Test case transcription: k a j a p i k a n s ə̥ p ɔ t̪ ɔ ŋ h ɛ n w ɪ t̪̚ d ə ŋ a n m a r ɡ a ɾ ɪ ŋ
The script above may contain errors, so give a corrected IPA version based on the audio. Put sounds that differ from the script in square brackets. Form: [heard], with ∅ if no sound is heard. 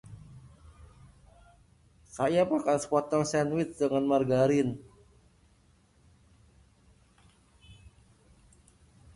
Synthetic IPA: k a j a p [a] k a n s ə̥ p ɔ t̪ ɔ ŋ [s] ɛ n w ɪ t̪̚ d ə ŋ a n m a r ɡ a ɾ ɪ [n]